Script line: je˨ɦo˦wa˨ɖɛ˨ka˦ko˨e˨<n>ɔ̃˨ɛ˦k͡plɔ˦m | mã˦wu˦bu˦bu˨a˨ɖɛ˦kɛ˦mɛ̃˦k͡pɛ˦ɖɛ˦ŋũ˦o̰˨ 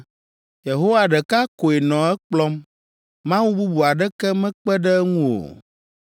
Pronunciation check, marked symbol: correct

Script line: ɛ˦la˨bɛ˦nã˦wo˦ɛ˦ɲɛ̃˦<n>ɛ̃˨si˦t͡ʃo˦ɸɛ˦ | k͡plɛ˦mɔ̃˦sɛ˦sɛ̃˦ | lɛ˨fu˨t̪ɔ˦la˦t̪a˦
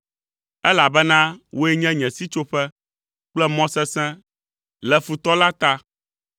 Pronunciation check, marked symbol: incorrect: ɲ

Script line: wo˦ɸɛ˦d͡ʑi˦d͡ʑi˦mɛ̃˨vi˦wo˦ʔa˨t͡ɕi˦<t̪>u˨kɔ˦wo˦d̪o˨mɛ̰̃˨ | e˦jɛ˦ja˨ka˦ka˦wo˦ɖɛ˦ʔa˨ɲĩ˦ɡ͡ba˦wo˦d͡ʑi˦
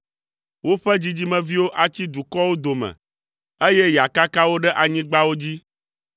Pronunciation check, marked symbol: incorrect: d̪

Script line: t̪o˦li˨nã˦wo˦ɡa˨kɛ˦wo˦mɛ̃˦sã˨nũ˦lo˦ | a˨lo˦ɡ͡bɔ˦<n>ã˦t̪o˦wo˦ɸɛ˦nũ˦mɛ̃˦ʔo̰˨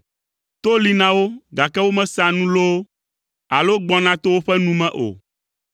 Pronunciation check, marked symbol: correct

